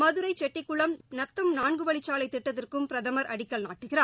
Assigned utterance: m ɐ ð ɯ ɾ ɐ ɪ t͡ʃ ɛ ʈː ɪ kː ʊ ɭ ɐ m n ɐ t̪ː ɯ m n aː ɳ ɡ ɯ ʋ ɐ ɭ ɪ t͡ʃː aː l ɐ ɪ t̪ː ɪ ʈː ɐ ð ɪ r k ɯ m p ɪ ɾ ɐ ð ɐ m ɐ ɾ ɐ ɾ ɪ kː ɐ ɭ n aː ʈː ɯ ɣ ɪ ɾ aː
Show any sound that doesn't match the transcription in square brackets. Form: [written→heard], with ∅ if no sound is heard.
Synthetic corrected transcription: m ɐ ð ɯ ɾ ɐ ɪ t͡ʃ ɛ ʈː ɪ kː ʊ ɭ ɐ m n ɐ t̪ː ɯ m n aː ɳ ɡ ɯ ʋ ɐ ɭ ɪ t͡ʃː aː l ɐ ɪ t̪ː ɪ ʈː ɐ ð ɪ r k ɯ m p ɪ ɾ ɐ ð ɐ m ɐ ɾ ɐ [ɾ→ɽ] ɪ kː ɐ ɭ n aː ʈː ɯ ɣ ɪ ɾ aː